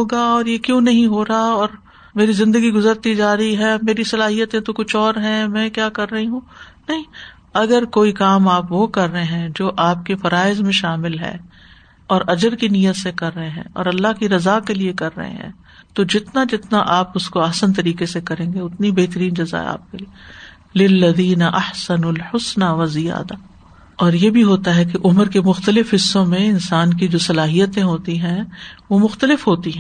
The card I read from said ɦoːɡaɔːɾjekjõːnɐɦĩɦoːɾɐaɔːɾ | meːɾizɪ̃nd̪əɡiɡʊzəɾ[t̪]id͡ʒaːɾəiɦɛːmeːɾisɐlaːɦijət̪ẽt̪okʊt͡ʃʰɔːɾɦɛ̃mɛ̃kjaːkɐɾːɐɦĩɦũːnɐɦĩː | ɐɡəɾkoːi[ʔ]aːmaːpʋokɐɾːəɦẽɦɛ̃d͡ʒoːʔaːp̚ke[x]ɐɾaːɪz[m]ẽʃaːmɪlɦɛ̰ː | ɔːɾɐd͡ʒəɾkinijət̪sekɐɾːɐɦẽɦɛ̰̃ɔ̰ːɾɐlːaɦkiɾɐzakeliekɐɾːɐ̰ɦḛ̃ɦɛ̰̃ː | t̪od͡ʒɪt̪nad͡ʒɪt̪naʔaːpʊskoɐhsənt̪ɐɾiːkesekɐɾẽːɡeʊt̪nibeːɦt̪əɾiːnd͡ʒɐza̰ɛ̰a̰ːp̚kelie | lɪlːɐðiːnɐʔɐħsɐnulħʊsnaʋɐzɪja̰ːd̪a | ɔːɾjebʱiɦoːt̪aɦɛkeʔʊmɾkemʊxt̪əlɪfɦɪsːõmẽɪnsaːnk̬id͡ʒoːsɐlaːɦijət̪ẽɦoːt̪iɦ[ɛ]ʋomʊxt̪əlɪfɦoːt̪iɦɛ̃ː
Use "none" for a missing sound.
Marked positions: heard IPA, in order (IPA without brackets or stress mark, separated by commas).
t̪, k, f, m, ɛ̃